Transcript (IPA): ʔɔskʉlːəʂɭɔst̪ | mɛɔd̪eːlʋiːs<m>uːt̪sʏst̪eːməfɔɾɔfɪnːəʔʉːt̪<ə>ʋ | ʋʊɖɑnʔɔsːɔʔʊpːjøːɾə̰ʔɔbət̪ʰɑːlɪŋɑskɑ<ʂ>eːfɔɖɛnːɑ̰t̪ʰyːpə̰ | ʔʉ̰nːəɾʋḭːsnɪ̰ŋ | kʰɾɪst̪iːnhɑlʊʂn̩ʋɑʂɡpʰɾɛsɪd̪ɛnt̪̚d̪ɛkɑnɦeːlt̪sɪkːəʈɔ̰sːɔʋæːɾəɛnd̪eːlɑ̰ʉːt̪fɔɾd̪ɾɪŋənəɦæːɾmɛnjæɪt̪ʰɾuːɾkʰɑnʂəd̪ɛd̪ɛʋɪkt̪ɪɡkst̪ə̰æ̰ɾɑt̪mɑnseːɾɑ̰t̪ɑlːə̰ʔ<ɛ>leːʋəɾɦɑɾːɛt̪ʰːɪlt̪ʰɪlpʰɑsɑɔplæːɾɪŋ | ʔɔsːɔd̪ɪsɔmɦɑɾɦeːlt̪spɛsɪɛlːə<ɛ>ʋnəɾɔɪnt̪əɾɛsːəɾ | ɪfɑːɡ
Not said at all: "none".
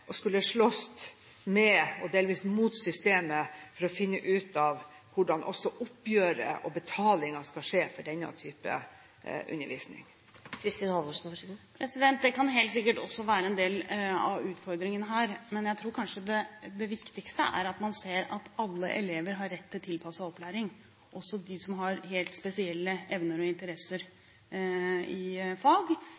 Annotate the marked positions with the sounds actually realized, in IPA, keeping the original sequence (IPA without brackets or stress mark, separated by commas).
m, ɑ, ʂ, ɛ, ɛ